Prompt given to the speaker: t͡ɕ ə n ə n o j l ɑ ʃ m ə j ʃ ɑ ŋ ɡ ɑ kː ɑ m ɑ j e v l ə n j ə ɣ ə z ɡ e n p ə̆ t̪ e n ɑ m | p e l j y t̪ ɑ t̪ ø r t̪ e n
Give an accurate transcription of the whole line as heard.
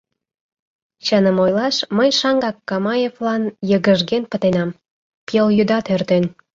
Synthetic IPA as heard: t͡ɕ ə n ə m o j l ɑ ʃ m ə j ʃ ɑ ŋ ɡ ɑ kː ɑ m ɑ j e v l ɑ n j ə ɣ ə ʒ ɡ e n p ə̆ t̪ e n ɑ m | p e l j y d̪ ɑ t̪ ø r t̪ e n